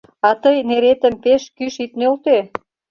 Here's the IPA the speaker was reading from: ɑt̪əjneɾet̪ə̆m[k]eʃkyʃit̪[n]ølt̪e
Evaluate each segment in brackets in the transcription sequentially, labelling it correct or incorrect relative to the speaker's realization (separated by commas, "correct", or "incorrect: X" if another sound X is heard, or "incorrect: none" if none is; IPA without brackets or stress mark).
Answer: incorrect: p, correct